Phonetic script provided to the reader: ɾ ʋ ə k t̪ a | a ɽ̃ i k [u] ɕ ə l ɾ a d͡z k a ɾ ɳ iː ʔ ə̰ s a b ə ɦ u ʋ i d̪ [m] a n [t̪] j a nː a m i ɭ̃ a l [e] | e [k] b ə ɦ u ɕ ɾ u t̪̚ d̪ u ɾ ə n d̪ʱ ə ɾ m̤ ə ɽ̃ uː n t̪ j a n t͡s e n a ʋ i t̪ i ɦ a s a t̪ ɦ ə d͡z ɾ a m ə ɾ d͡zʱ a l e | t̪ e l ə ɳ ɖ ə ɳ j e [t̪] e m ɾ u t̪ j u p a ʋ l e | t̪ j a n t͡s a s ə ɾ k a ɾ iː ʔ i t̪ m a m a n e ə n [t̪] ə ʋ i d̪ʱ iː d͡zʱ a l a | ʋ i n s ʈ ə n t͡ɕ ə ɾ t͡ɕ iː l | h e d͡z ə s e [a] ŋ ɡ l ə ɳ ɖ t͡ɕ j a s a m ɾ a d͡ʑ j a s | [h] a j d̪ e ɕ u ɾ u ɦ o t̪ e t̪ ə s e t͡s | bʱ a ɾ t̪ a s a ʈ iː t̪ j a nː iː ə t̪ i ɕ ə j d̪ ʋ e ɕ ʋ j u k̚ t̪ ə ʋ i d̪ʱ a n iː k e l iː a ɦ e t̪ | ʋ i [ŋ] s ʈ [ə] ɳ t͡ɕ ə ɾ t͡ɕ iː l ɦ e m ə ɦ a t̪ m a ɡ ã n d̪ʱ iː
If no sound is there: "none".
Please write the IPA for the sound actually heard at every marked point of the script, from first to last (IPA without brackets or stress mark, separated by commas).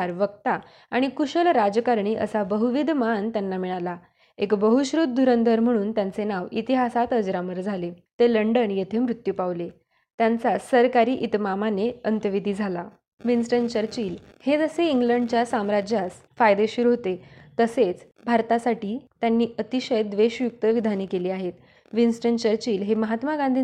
u, m, t̪, a, k, t̪ʰ, t̪, i, f, n, ə